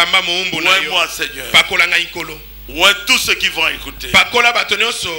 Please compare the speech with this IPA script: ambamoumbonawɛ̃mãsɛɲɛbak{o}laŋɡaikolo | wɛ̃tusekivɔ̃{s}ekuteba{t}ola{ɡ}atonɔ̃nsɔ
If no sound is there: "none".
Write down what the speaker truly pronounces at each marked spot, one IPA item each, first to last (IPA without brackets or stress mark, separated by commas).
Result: o, none, k, b